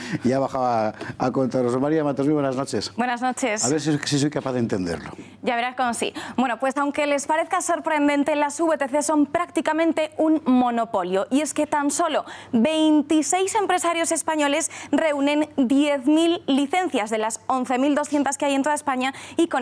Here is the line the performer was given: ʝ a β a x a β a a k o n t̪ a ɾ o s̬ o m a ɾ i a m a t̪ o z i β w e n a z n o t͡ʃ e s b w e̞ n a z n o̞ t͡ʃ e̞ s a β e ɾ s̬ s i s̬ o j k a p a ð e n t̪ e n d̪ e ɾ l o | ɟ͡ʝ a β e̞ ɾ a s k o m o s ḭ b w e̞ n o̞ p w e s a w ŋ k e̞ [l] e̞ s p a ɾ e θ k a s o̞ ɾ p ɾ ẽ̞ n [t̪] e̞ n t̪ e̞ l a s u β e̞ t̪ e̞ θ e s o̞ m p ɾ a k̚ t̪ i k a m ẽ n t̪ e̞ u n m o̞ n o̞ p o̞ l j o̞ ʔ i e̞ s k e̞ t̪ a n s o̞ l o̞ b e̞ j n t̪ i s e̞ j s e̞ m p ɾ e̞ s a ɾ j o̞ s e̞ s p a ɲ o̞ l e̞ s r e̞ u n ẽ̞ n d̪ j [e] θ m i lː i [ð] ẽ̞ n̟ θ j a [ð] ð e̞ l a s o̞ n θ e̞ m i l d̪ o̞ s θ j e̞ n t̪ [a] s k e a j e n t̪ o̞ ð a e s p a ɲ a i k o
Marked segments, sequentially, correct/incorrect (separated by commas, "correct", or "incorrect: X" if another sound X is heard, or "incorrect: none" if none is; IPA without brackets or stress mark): correct, incorrect: d̪, correct, incorrect: θ, incorrect: z, correct